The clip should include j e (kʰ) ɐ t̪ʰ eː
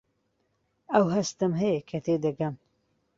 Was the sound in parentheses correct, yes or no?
yes